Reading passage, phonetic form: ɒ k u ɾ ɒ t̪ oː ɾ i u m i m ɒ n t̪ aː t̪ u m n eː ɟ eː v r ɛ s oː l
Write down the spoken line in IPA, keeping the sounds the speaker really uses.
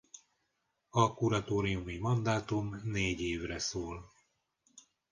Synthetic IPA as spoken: ɒ k u ɾ ɒ t̪ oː ɾ i u m i m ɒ n d̪ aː t̪ u m n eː ɟ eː v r ɛ s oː l